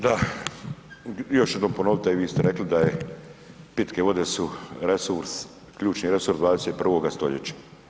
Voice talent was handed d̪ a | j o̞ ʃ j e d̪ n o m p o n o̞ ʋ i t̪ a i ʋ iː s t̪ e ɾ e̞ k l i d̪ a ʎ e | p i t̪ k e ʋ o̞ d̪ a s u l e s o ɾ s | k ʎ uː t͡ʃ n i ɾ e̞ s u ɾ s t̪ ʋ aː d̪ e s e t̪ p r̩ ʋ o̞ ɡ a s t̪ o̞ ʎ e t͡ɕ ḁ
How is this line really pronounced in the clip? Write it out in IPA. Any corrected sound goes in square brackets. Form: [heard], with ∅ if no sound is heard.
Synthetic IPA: d̪ a | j o̞ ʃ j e d̪ n o m p o n o̞ ʋ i t̪ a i ʋ iː s t̪ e ɾ e̞ k l i d̪ a [j] e | p i t̪ k e ʋ o̞ d̪ [e] s u [ɾ] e s [u] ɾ s | k ʎ uː t͡ʃ n i ɾ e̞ s u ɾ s [d̪] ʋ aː d̪ e s e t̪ p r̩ ʋ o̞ ɡ a s t̪ o̞ ʎ e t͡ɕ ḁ